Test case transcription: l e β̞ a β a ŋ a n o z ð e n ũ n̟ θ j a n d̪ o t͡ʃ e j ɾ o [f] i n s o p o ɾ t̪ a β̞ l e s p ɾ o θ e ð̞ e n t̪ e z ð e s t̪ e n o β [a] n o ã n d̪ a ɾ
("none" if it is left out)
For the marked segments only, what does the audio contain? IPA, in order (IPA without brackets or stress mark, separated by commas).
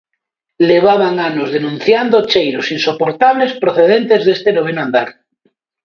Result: s, e